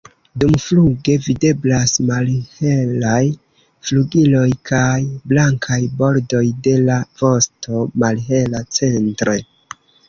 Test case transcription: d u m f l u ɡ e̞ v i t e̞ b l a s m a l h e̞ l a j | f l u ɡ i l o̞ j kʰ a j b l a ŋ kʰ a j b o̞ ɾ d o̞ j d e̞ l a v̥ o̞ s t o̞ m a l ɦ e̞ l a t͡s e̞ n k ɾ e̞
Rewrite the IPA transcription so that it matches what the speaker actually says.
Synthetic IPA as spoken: d u m f l u ɡ e̞ v i d e̞ b l a s m a l h e̞ l a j | f l u ɡ i l o̞ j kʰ a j b l a ŋ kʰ a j b o̞ ɾ d o̞ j d e̞ l a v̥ o̞ s t o̞ m a l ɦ e̞ l a t͡s e̞ n t ɾ e̞